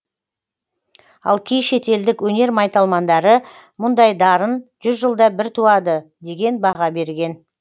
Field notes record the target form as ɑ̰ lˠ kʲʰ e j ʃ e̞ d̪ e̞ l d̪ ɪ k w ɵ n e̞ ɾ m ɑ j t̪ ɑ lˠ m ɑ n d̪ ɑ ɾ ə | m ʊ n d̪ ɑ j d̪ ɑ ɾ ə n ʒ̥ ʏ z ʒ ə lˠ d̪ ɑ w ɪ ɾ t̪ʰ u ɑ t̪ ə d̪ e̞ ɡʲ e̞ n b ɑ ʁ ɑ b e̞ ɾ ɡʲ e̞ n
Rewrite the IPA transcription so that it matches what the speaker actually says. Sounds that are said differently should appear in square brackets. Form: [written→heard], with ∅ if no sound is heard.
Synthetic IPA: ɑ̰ lˠ kʲʰ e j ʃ e̞ [d̪→t̪] e̞ l d̪ ɪ k w ɵ n e̞ ɾ m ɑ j t̪ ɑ lˠ m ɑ n d̪ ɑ ɾ ə | m ʊ n d̪ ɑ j d̪ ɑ ɾ ə n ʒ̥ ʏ z ʒ ə lˠ d̪ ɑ [w→b] ɪ ɾ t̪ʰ u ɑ [t̪→d̪] ə d̪ e̞ ɡʲ e̞ n b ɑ ʁ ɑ b e̞ ɾ ɡʲ e̞ n